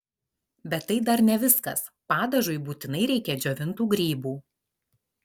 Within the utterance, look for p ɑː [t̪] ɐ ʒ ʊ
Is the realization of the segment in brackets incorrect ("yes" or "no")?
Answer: yes